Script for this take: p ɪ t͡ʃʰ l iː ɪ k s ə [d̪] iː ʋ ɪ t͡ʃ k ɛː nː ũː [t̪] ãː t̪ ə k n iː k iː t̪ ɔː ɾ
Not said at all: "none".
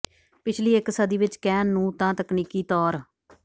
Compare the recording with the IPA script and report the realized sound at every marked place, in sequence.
d̪, t̪

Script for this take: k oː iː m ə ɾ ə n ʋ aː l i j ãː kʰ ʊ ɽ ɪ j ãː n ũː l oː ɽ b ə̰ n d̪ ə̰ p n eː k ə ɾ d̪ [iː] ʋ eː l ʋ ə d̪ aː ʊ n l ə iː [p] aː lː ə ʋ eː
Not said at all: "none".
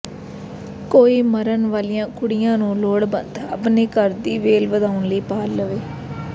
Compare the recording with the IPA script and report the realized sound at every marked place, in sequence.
iː, p

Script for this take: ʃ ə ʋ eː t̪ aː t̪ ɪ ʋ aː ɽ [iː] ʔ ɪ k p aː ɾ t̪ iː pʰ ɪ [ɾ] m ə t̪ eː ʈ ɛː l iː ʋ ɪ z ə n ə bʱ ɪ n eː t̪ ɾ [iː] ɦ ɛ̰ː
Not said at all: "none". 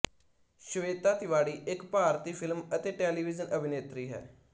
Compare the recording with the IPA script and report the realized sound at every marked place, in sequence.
iː, l, iː

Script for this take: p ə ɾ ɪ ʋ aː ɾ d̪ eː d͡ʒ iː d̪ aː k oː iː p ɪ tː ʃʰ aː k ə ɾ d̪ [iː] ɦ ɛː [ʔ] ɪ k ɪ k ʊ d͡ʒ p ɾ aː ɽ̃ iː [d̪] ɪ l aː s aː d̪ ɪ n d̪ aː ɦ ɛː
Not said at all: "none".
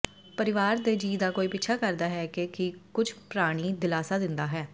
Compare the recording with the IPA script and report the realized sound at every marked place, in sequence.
aː, k, d̪

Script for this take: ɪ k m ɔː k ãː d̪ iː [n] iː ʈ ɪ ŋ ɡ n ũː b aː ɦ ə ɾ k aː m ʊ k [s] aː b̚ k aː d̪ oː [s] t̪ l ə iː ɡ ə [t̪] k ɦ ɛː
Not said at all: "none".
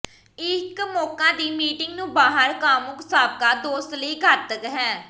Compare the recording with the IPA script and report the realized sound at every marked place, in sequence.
m, s, s, t̪

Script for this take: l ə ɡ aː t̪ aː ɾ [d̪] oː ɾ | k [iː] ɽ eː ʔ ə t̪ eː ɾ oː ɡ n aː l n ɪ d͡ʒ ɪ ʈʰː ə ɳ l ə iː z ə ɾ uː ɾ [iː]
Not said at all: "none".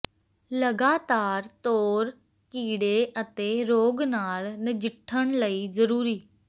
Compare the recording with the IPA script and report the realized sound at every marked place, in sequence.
t̪, iː, iː

